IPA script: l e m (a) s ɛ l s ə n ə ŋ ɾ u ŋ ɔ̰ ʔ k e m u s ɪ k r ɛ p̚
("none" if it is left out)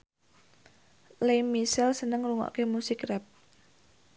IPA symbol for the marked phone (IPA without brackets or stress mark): i